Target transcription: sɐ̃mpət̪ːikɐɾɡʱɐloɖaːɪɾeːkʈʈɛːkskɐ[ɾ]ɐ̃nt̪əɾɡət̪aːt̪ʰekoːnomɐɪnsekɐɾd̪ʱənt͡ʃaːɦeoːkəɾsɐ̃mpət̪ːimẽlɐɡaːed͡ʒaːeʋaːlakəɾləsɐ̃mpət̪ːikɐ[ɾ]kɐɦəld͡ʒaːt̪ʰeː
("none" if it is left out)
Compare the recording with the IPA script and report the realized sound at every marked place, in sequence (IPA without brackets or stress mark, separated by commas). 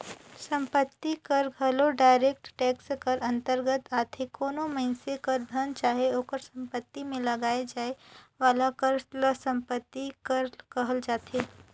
ɾ, ɾ